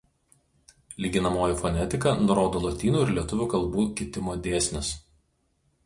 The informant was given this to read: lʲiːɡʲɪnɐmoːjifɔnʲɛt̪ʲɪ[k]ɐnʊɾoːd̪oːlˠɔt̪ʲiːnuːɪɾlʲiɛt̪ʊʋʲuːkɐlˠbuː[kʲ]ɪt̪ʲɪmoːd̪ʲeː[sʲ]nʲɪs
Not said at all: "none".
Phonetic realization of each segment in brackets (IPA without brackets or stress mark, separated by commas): k, kʲ, sʲ